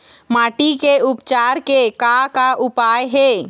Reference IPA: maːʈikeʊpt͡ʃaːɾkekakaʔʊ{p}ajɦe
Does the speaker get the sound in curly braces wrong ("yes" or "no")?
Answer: no